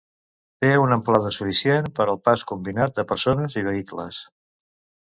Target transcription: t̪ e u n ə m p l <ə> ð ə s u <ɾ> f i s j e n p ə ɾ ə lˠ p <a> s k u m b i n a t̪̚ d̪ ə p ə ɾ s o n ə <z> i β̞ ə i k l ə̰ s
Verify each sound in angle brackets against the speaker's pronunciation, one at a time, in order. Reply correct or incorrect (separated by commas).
incorrect, incorrect, correct, correct